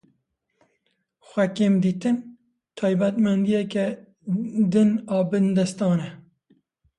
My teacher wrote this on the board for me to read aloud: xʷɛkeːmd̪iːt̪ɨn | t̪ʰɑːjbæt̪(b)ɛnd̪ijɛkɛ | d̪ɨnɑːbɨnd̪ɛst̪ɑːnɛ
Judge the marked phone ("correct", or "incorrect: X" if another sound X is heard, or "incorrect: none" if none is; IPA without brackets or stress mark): incorrect: m